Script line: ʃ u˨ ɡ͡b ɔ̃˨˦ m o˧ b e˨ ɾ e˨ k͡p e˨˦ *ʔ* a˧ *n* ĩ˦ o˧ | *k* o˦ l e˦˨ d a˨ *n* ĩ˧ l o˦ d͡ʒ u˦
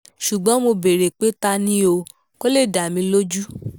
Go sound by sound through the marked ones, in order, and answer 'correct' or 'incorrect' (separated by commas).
incorrect, correct, correct, incorrect